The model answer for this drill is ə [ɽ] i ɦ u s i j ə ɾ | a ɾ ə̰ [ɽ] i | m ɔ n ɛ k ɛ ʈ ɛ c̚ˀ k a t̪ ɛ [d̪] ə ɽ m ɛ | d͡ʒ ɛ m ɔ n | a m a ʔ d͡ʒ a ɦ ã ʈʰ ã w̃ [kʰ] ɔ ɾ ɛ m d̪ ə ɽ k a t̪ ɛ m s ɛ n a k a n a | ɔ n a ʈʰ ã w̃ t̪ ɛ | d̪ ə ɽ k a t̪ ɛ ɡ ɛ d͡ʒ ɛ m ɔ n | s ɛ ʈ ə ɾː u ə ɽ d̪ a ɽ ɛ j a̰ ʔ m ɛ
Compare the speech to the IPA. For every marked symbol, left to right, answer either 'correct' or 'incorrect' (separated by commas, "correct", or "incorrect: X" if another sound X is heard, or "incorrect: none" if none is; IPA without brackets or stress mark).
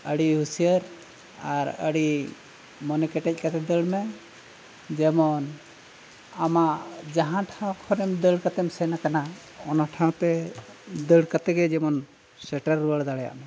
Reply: correct, correct, correct, correct